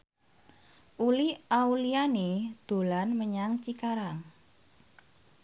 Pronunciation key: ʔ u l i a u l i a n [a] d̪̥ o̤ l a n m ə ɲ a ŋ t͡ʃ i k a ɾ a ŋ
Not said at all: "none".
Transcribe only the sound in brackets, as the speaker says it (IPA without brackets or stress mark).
i